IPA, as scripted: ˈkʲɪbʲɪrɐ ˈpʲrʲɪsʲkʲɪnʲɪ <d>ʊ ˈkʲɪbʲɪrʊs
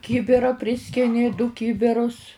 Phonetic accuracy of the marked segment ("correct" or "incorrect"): correct